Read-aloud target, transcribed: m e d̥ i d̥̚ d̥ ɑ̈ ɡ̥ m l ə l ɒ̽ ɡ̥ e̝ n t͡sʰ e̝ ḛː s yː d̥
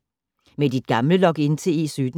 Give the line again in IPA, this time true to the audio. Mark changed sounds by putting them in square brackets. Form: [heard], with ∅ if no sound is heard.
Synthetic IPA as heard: m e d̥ i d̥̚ [ɡ̥] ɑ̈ [∅] m l ə l ɒ̽ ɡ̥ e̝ n t͡sʰ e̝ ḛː s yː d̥